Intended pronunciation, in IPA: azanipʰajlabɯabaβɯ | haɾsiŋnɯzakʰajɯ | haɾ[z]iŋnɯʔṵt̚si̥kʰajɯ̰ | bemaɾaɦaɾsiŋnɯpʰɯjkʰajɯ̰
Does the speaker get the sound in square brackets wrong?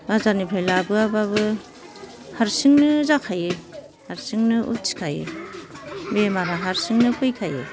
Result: yes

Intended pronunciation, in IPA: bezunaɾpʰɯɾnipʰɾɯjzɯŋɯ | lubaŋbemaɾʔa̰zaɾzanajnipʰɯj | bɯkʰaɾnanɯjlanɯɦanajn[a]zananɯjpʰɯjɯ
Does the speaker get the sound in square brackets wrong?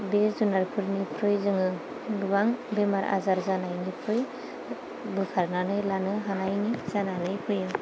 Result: yes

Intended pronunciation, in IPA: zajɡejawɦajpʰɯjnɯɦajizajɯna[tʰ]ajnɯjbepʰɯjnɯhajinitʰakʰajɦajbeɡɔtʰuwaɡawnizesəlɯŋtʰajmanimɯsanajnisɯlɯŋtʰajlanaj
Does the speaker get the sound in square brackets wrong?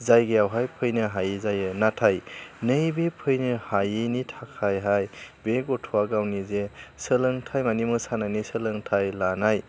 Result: no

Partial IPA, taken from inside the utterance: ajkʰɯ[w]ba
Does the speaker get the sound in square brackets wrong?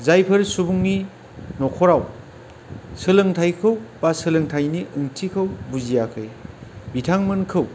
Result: no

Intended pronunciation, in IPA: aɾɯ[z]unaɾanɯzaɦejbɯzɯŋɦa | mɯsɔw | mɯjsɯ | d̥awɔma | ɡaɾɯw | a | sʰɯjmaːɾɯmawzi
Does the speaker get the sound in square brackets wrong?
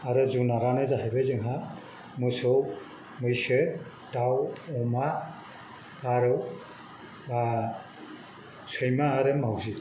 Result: no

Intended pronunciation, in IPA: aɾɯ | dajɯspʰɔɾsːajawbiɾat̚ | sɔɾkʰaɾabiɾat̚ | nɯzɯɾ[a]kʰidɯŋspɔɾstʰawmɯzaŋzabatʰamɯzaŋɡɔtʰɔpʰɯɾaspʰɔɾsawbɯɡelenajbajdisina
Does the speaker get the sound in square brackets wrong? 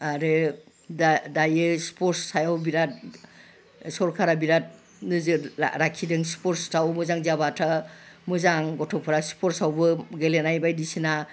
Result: no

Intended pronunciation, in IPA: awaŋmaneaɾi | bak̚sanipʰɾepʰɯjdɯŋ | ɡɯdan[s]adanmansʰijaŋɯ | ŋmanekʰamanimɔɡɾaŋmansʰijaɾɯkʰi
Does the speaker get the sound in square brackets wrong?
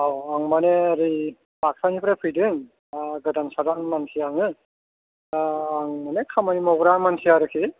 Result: no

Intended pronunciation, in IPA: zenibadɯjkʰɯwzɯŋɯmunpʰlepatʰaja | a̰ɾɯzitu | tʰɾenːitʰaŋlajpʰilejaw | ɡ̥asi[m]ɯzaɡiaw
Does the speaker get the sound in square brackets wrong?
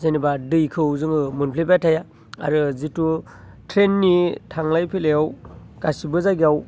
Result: yes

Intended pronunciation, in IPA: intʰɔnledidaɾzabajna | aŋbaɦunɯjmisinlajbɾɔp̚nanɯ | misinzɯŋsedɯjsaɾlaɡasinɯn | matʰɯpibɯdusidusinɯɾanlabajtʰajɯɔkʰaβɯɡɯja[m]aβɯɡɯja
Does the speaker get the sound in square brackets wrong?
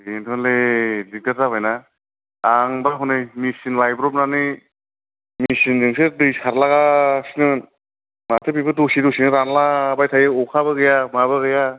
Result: no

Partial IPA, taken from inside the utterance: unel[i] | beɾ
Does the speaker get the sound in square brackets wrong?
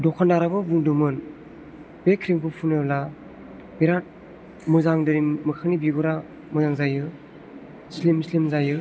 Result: yes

